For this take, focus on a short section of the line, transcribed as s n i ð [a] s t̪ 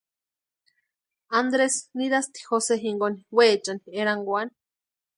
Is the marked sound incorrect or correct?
correct